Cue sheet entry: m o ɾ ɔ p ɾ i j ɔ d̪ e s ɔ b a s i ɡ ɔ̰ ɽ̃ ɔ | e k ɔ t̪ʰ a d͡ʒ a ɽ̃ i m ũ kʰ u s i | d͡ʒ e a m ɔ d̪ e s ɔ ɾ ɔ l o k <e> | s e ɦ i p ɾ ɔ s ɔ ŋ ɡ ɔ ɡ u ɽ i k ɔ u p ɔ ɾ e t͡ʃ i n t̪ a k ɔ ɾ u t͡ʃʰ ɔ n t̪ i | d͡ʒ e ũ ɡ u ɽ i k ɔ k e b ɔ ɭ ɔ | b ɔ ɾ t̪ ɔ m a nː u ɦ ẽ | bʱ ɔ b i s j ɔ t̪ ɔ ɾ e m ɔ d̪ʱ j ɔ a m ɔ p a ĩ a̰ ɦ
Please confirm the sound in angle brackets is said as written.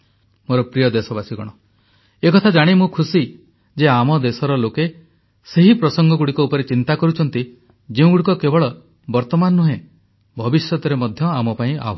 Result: yes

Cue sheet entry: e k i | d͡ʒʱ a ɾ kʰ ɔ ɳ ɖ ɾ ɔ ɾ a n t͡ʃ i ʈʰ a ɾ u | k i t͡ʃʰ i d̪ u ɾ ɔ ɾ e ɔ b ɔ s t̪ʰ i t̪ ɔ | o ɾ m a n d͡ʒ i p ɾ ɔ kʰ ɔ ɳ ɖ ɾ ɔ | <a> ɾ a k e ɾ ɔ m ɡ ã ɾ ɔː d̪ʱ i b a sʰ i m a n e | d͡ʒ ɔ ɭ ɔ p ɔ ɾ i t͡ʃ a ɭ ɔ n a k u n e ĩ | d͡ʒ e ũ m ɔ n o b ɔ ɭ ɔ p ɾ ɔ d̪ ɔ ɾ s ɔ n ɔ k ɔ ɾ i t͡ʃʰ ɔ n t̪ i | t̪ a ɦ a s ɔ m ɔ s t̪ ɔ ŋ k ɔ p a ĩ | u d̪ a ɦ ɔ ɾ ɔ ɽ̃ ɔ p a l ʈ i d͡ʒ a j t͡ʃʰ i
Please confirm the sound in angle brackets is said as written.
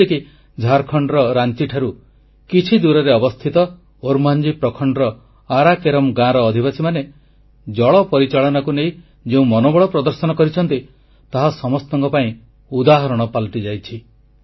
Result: yes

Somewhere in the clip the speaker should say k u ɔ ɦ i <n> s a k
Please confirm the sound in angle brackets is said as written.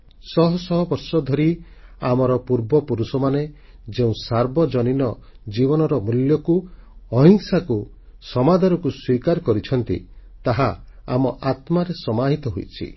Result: no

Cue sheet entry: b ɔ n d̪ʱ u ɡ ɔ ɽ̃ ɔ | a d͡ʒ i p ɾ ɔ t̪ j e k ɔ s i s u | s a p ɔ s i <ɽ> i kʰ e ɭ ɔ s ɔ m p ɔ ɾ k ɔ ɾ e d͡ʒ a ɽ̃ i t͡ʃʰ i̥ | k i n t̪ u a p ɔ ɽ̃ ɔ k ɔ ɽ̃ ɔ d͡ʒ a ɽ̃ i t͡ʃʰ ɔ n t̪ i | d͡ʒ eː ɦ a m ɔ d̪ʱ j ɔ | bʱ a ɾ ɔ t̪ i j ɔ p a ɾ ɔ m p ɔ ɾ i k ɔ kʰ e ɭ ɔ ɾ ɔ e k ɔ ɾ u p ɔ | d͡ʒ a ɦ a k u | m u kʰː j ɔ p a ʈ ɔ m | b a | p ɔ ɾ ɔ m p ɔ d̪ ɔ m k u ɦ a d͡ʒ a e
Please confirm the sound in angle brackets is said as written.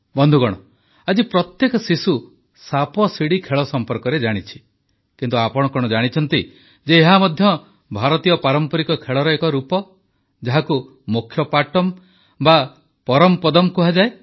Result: yes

